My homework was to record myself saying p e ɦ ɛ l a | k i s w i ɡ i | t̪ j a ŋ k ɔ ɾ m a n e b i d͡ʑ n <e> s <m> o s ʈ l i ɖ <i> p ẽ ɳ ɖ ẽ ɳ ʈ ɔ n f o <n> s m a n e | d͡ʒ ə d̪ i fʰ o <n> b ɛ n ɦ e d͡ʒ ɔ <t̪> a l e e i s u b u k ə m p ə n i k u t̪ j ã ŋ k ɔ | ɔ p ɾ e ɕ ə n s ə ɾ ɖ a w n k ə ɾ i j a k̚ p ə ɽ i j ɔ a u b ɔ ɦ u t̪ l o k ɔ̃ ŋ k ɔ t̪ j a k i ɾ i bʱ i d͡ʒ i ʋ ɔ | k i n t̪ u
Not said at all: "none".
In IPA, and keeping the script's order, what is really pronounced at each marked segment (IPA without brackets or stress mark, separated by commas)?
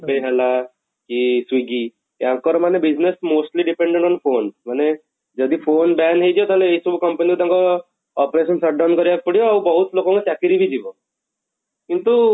e, m, i, n, n, t̪